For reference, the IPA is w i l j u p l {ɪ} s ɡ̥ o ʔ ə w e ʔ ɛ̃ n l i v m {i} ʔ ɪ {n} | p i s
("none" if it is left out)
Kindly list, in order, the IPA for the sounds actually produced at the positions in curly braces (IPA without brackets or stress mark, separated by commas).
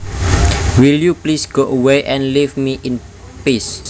i, i, n